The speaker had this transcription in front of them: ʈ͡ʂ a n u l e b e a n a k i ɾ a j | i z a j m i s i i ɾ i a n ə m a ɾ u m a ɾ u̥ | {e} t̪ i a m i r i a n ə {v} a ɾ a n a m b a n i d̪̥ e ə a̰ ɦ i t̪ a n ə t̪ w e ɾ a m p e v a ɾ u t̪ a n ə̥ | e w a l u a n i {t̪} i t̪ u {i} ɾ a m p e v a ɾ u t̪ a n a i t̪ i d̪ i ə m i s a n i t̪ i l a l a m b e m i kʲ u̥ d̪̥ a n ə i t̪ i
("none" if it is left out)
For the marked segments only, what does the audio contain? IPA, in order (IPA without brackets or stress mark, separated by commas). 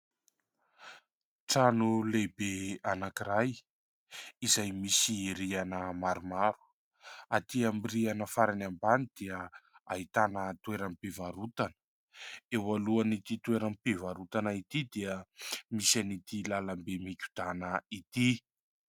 a, f, t̪, e